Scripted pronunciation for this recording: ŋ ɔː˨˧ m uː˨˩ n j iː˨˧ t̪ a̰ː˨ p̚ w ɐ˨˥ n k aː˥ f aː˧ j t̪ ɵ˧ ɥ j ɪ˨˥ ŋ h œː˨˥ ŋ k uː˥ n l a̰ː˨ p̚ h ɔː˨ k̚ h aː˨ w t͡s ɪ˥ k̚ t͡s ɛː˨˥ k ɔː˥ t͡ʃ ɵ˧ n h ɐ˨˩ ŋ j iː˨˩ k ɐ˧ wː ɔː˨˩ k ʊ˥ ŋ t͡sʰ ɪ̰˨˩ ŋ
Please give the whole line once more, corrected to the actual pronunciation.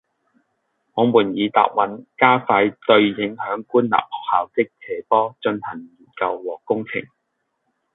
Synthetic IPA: ŋ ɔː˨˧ m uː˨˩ n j iː˨˧ t̪ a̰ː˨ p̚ w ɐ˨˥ n k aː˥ f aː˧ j t̪ ɵ˧ ɥ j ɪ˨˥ ŋ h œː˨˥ ŋ k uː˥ n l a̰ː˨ p̚ h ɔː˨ k̚ h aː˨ w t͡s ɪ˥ k̚ t͡sʰ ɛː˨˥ p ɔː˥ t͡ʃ ɵ˧ n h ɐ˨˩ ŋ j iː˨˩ k ɐ˧ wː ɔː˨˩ k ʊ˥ ŋ t͡sʰ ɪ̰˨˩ ŋ